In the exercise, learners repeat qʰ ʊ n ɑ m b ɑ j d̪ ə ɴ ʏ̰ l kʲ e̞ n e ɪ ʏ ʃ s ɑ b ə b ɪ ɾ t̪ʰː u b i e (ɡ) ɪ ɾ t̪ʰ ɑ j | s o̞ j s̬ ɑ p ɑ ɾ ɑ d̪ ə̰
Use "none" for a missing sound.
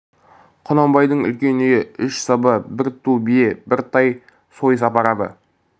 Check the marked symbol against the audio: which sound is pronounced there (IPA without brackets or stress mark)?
b